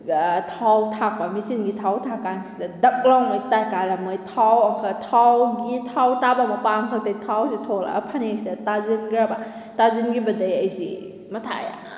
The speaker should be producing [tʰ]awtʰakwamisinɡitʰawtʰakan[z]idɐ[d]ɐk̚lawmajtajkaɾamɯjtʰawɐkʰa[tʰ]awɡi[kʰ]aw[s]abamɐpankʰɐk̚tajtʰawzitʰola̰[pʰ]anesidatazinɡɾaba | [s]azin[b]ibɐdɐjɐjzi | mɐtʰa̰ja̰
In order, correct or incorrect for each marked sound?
correct, incorrect, correct, correct, incorrect, incorrect, correct, incorrect, incorrect

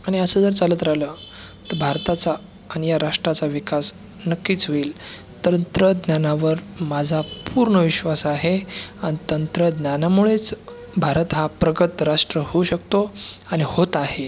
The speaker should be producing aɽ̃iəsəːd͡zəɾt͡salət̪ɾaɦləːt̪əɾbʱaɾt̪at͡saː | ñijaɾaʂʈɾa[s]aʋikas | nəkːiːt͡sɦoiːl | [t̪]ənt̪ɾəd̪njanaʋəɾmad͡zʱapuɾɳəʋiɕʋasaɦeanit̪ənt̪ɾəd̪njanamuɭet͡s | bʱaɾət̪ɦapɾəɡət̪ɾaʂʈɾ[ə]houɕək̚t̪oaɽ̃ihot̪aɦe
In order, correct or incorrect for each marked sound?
incorrect, correct, correct

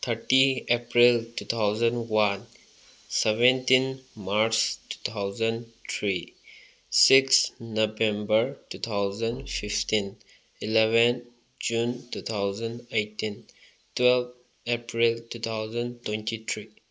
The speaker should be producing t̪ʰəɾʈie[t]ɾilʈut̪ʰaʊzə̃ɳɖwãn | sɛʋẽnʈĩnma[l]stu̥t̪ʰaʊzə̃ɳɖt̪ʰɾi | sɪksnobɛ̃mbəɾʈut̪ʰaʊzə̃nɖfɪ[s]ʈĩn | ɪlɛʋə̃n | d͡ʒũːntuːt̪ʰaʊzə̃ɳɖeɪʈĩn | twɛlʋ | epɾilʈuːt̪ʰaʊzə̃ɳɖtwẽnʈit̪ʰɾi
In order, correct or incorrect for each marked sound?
incorrect, incorrect, incorrect

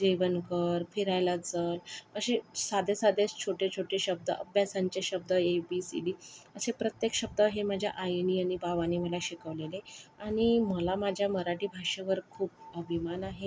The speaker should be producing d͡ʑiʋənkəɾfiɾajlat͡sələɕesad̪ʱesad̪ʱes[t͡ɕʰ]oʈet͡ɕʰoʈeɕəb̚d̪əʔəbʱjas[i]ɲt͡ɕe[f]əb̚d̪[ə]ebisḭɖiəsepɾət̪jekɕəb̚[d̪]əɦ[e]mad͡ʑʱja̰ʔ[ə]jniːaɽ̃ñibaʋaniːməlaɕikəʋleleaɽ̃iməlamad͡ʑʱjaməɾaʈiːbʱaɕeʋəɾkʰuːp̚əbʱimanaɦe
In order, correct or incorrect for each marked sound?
correct, incorrect, incorrect, correct, correct, correct, incorrect

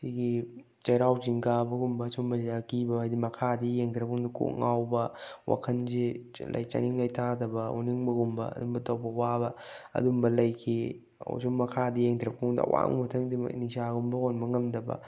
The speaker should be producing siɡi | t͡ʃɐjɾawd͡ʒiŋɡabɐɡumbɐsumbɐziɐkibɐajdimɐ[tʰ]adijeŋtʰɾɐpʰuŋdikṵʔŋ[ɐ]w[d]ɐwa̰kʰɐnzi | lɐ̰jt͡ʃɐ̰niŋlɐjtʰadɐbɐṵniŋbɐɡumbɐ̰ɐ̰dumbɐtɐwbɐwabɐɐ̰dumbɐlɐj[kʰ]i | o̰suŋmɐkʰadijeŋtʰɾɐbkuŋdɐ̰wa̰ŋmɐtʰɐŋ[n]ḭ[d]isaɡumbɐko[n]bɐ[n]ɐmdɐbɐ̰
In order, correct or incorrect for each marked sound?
incorrect, incorrect, incorrect, correct, incorrect, incorrect, correct, incorrect

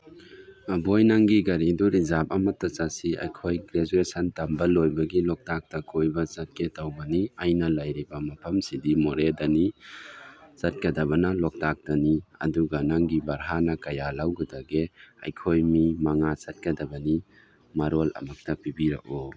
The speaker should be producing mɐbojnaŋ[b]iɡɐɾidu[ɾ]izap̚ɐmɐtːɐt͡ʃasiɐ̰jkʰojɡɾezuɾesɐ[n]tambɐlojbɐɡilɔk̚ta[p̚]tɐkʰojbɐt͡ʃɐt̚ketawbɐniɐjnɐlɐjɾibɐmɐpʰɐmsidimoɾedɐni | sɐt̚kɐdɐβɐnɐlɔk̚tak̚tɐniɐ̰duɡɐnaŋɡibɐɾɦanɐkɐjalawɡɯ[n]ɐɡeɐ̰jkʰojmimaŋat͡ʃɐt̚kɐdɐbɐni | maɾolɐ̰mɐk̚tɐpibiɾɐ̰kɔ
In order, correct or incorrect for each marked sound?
incorrect, correct, correct, incorrect, incorrect

